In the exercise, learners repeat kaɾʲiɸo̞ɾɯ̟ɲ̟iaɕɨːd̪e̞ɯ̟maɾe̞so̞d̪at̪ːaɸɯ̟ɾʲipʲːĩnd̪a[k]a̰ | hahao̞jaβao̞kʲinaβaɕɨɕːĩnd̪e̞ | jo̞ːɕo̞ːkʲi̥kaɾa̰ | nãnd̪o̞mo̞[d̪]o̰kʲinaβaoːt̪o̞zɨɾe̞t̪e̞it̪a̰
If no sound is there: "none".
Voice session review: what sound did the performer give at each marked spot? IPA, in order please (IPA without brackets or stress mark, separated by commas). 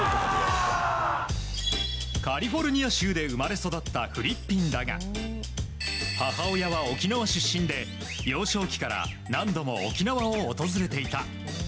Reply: ɡ, none